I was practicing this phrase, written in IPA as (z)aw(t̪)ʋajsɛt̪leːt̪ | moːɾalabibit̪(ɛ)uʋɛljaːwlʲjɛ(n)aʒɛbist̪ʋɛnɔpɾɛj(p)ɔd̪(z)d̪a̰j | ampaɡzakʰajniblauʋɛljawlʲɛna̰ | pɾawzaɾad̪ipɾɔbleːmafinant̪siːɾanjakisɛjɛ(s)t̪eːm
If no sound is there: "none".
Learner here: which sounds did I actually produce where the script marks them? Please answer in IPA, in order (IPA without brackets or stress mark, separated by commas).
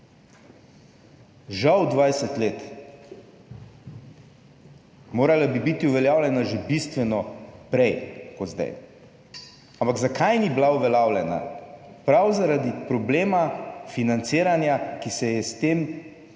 ʒ, d̪, i, n, k, z, s